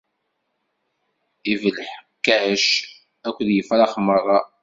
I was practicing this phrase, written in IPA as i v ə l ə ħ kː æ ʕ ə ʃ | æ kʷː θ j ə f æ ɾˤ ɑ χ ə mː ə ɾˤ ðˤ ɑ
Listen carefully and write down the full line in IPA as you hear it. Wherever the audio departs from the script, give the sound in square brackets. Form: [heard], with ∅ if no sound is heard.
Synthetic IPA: i v ə l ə ħ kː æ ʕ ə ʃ | æ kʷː [ð] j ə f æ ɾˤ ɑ χ ə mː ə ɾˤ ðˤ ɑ